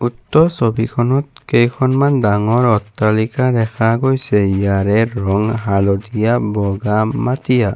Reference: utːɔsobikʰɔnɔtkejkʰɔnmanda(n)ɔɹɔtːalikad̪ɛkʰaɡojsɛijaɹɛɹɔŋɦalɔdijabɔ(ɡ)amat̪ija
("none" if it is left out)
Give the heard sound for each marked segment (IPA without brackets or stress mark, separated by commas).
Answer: ŋ, ɡ